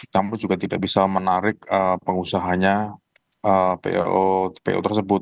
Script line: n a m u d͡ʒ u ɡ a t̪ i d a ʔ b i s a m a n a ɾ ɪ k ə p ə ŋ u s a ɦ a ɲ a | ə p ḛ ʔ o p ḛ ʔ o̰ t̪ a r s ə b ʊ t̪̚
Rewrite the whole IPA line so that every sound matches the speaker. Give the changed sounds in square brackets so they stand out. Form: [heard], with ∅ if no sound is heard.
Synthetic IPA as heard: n a m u d͡ʒ u ɡ a t̪ i d a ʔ b i s a m [ə] n a ɾ ɪ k ə p ə ŋ u s a ɦ a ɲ a | ə p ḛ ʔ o p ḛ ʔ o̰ t̪ [ə] r s ə b ʊ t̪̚